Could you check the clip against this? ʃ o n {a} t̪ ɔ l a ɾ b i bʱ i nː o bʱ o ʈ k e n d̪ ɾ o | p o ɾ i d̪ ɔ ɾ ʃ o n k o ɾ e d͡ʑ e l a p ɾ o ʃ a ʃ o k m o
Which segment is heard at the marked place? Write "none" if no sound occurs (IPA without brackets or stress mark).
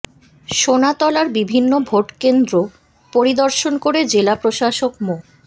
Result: a